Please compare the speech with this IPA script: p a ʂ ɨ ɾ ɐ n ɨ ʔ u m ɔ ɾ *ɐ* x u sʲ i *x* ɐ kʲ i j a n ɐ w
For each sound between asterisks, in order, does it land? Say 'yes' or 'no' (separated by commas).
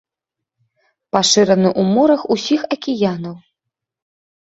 yes, yes